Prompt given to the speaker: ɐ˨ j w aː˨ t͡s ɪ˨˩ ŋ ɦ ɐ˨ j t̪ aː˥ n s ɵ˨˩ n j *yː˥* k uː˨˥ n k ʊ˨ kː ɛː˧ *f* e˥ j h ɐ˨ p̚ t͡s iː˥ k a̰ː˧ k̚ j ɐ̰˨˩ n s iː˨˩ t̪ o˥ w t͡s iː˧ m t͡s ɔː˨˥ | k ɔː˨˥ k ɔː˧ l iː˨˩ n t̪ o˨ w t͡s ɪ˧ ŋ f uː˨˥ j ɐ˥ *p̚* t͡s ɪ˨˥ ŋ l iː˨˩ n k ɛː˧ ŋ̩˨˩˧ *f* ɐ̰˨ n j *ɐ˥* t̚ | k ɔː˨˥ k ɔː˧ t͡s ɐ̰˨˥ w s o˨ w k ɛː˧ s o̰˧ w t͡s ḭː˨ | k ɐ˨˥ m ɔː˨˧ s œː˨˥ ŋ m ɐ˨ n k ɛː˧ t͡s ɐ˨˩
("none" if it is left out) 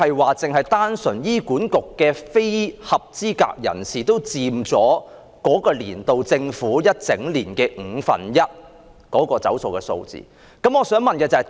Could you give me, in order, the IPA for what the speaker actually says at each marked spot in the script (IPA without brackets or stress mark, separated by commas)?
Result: iː˥, f, t̚, f, ɐ˥